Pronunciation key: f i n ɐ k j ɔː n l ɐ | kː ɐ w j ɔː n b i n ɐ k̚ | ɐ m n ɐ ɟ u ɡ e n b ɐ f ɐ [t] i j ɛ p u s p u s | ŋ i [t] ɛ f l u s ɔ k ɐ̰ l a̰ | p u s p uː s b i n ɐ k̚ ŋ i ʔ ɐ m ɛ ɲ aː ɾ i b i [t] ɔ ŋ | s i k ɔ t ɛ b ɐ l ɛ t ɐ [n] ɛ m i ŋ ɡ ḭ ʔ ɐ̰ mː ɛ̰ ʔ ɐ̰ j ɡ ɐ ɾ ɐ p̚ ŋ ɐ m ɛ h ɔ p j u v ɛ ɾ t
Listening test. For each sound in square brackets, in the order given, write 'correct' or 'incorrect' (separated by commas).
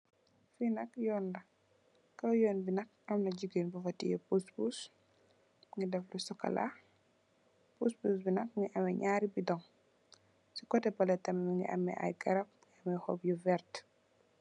correct, incorrect, incorrect, incorrect